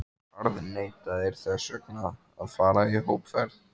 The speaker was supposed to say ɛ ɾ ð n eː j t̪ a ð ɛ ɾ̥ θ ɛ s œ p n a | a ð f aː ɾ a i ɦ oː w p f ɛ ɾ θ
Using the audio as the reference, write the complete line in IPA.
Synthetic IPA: a ɾ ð n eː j t̪ a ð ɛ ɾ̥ θ ɛ s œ k n a | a ð f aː ɾ a i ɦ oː w p f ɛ ɾ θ